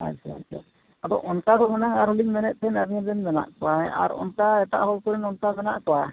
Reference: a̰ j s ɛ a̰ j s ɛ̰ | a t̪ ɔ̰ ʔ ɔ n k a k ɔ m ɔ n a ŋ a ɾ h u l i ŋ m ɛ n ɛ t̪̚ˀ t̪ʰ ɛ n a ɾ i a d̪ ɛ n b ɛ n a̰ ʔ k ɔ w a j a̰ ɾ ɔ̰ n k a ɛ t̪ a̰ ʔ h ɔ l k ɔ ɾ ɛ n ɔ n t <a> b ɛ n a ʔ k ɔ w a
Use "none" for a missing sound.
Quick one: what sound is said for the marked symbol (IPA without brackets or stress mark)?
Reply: a